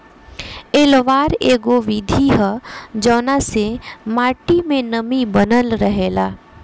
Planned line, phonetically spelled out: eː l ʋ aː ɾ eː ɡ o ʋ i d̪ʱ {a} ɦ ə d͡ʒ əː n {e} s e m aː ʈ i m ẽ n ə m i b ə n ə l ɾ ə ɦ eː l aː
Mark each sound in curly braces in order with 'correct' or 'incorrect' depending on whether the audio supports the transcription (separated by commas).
incorrect, incorrect